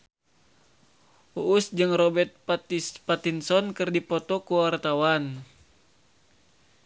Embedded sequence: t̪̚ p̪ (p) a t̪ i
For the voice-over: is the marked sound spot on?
yes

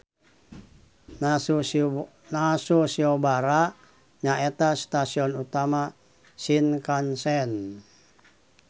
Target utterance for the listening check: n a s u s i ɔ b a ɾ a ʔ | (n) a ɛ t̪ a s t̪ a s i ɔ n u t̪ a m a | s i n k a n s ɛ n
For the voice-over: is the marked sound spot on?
no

